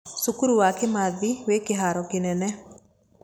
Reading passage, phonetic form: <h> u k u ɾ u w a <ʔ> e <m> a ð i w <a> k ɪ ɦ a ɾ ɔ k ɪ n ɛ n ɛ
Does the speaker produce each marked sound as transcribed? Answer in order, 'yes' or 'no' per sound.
no, no, yes, no

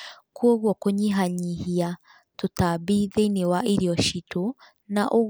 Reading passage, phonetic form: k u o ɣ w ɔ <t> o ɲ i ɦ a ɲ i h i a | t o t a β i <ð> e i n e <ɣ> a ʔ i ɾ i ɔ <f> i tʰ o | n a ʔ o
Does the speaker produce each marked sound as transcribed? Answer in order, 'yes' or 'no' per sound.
no, yes, no, no

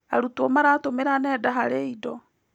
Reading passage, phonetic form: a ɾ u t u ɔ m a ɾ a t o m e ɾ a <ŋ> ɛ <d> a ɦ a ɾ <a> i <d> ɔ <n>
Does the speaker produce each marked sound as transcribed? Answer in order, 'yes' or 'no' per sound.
no, yes, no, yes, no

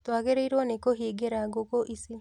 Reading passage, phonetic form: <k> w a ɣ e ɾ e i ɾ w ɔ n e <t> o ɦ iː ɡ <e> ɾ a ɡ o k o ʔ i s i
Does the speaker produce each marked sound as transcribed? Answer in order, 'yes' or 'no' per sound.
no, no, yes

